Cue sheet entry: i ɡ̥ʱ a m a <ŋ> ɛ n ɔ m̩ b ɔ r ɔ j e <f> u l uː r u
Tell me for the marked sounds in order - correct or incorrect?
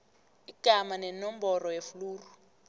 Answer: incorrect, correct

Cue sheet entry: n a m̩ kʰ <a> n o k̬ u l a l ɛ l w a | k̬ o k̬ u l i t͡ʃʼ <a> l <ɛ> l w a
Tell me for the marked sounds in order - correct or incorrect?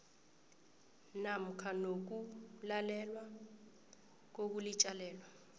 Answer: correct, correct, incorrect

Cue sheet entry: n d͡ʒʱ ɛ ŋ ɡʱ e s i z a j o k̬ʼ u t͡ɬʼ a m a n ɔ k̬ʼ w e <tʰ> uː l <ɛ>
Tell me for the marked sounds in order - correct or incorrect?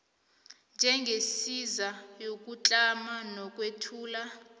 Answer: correct, incorrect

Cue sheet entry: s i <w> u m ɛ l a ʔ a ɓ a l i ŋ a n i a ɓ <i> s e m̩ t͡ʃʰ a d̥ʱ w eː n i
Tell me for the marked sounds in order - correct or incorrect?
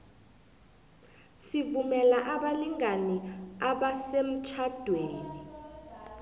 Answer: incorrect, incorrect

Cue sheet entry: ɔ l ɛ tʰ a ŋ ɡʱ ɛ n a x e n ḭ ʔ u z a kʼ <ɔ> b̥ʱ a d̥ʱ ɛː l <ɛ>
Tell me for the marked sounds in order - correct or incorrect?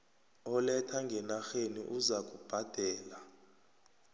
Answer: incorrect, incorrect

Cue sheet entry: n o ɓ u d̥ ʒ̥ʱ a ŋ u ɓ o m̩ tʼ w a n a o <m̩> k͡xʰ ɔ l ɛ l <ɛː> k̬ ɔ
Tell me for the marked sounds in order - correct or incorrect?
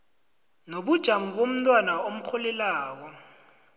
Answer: correct, incorrect

